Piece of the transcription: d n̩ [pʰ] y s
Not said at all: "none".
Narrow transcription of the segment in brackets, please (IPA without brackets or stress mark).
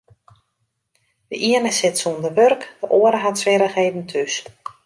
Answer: tʰ